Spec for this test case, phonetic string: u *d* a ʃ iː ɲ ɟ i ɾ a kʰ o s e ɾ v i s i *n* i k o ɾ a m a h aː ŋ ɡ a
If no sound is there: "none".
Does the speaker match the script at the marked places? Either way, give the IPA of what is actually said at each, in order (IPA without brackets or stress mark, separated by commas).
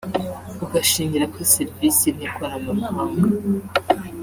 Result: ɡ, n